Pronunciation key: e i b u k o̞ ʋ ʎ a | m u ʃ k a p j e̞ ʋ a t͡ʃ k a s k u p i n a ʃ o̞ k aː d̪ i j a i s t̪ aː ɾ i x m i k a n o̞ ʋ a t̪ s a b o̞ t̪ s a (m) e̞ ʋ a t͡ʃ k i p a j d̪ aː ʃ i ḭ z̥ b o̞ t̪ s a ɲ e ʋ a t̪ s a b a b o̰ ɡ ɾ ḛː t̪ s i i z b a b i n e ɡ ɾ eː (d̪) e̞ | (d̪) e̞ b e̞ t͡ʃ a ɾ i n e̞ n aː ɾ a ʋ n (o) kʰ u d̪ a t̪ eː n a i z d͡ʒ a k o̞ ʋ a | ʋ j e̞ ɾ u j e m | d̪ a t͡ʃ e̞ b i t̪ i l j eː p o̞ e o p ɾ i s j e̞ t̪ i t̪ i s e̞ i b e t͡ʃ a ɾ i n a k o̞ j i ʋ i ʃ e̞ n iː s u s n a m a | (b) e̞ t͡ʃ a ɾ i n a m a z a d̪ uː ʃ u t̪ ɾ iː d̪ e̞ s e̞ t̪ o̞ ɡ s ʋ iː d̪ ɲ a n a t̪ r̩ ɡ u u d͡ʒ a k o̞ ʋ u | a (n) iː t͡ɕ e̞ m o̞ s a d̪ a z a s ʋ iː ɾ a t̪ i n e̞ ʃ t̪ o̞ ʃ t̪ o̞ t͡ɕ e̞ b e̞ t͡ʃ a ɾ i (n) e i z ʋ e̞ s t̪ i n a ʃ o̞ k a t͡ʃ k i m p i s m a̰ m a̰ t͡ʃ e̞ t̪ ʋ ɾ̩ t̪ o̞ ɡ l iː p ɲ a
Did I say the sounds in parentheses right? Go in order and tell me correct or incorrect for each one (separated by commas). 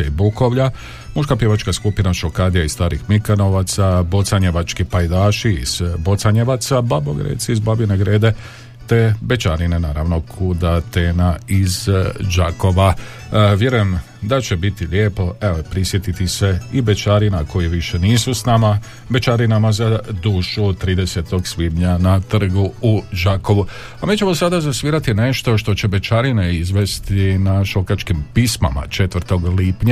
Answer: incorrect, correct, incorrect, correct, correct, incorrect, correct